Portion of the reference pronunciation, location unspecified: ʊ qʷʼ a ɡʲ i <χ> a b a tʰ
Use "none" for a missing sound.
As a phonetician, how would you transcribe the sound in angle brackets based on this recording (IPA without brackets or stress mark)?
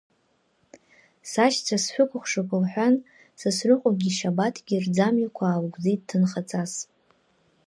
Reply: ʃ